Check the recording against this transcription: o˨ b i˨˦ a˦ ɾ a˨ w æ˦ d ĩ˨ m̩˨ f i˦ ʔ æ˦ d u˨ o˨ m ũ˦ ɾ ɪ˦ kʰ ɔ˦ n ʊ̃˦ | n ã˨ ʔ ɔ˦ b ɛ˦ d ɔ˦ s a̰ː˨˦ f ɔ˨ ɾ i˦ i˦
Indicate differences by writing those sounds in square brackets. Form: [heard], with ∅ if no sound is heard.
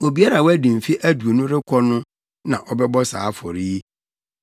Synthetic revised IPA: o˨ b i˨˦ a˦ ɾ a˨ w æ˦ d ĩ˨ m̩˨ f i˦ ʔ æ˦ d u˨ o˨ [n] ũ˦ ɾ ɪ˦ kʰ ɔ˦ n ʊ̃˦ | n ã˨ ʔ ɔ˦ b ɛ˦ [b] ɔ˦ s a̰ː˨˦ f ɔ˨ ɾ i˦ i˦